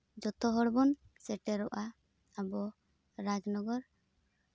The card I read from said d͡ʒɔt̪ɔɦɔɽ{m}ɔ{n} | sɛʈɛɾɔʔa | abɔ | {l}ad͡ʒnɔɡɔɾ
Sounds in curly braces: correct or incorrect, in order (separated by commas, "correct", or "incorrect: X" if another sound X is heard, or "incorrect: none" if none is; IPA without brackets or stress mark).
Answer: incorrect: b, correct, incorrect: ɾ